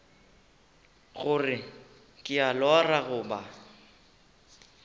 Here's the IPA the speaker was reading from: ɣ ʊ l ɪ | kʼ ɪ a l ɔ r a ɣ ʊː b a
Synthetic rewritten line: ɣ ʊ r ɪ | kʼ ɪ a l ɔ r a ɣ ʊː b a